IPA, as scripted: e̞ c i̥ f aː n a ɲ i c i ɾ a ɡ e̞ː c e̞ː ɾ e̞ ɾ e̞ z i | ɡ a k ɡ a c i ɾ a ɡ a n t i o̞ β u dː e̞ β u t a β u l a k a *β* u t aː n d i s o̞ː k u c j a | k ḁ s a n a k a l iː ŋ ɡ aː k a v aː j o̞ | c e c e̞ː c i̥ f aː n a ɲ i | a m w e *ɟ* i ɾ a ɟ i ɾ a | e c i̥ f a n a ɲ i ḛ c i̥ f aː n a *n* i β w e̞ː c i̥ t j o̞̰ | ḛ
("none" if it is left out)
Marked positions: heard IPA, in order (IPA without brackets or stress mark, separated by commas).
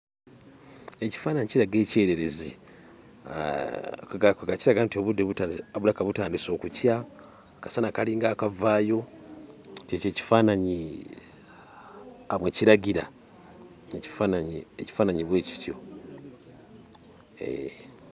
β, c, ɲ